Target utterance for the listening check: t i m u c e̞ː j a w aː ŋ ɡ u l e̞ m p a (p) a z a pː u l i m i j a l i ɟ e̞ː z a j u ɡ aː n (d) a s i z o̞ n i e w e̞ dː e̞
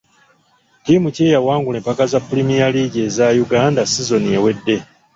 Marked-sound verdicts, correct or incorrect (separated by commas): incorrect, correct